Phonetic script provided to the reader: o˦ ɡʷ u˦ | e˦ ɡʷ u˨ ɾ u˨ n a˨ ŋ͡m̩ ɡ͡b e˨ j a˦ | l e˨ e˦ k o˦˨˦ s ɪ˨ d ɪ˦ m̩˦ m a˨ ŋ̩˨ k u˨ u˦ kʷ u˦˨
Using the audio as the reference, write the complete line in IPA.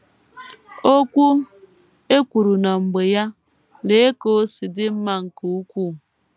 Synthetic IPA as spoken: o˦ kʷ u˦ | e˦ kʷ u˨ ɾ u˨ n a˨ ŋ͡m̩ ɡ͡b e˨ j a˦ | l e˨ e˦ k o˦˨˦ s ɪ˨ d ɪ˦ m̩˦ m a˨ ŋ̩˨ k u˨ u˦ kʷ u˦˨